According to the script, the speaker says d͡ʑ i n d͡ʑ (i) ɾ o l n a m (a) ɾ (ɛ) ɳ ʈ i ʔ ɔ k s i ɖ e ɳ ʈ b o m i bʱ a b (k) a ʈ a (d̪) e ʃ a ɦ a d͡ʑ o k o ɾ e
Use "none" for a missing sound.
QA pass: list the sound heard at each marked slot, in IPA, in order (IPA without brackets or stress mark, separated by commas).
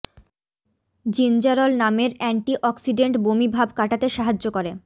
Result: a, e, ɛ, k, t̪